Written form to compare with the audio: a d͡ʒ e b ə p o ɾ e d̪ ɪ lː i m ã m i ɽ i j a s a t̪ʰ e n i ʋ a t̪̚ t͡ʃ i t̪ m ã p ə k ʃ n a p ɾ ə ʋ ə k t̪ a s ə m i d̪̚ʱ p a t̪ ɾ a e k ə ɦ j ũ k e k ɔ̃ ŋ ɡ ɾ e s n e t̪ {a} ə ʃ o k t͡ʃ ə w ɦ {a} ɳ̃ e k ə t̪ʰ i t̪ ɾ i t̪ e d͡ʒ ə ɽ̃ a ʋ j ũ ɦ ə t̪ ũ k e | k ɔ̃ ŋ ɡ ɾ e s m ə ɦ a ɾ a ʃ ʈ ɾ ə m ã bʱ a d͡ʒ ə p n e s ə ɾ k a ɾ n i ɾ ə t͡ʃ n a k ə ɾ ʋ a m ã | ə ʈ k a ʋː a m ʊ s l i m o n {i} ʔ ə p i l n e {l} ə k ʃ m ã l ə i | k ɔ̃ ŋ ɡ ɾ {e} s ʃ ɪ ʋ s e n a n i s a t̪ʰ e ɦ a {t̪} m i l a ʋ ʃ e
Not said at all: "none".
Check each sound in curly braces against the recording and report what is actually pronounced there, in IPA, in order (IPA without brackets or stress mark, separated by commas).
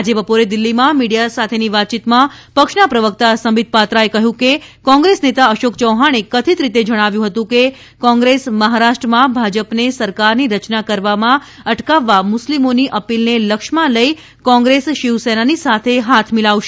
a, a, i, l, e, t̪ʰ